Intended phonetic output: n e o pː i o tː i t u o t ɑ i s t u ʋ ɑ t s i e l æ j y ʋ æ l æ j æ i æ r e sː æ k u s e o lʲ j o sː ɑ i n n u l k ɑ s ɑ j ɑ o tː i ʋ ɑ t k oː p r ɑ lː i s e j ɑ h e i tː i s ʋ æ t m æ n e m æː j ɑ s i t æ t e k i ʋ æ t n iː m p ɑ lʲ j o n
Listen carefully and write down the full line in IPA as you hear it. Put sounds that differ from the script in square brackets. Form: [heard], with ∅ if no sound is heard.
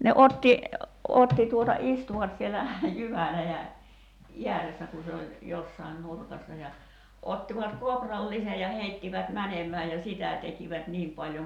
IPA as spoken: n e o [tː] i o tː i t u o t ɑ i s t u ʋ ɑ t s i e l æ j y ʋ æ l æ j æ i æ r e sː æ k u s e o lʲ j o sː ɑ i n n u [r] k ɑ [sː] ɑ j ɑ o tː i ʋ ɑ t k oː p r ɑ lː i s e j ɑ h e i tː i [∅] ʋ æ t m æ n e m æː j ɑ s i t æ t e k i ʋ æ t n iː m p ɑ lʲ j o [ŋ]